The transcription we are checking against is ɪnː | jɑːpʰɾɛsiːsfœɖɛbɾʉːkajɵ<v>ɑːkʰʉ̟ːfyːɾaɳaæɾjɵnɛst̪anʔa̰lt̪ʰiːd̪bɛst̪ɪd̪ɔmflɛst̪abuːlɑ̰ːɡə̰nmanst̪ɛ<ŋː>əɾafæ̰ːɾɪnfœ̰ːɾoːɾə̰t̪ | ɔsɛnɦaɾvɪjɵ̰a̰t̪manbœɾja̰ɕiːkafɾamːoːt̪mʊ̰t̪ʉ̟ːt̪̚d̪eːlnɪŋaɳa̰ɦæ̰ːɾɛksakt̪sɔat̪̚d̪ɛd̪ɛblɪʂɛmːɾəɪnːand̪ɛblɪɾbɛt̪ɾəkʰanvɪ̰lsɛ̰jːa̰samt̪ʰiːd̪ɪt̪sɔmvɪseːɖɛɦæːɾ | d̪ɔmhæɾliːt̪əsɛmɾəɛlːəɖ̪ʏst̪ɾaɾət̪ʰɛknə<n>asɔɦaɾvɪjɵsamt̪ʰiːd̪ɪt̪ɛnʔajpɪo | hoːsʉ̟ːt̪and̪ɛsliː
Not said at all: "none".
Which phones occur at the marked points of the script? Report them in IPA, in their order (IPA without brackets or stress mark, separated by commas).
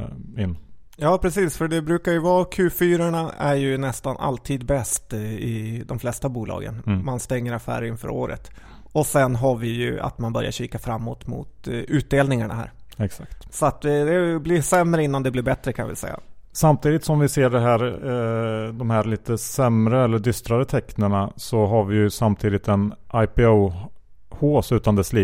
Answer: v, ŋː, ɳ